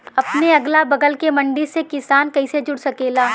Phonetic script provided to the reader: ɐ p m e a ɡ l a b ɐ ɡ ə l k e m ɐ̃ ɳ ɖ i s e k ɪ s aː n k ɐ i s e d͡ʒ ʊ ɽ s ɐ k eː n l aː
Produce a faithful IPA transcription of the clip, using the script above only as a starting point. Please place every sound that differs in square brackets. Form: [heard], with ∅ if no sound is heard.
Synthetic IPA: ɐ p [n] e [ɐ] ɡ l a b ɐ ɡ ə l k e m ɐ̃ ɳ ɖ i s e k ɪ s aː n k ɐ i s e d͡ʒ ʊ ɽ s ɐ k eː [∅] l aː

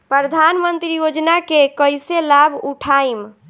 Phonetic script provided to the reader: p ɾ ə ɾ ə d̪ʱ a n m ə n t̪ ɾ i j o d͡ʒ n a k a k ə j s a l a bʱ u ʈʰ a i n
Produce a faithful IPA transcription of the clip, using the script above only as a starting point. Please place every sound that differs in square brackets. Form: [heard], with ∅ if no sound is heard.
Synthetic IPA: p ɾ ə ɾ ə d̪ʱ a n m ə n t̪ ɾ i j o d͡ʒ n a k [e] k ə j s [e] l a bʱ u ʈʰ a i [m]

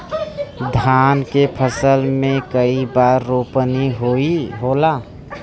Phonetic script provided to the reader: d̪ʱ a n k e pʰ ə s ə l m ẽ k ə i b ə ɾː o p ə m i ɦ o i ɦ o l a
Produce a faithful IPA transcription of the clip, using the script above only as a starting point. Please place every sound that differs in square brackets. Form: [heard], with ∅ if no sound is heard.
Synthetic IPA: d̪ʱ a n k e pʰ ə s ə l m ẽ k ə i b [a] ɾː o p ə [n] i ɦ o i ɦ o l a

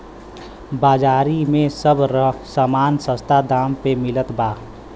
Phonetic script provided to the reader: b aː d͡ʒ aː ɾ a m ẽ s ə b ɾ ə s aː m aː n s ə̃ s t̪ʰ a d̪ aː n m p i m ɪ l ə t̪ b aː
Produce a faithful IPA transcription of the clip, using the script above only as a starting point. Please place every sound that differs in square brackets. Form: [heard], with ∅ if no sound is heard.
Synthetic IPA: b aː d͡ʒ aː ɾ [i] m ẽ s ə b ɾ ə s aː m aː n s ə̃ s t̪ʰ a d̪ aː [∅] m p [e] m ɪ l ə t̪ b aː

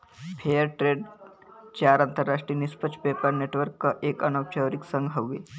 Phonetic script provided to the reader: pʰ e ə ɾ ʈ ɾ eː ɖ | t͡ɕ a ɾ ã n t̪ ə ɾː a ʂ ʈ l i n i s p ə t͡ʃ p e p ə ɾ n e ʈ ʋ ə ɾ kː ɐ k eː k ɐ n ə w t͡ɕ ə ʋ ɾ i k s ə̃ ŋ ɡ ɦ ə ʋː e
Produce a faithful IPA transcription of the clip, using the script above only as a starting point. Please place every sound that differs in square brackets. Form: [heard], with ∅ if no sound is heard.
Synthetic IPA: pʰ e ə ɾ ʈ ɾ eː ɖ | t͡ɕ a ɾ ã n t̪ ə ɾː a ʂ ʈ [ɾ] i n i s p ə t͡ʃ p e p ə ɾ n e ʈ ʋ ə ɾ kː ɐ [ʔ] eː k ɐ n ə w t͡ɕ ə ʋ ɾ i k s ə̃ ŋ ɡ ɦ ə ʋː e

